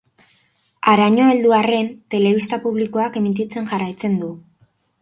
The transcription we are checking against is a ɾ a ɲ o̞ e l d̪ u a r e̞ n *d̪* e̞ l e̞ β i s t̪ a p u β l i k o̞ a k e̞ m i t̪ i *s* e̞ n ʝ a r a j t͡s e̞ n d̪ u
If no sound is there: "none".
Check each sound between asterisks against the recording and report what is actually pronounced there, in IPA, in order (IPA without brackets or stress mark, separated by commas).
t̪, t͡s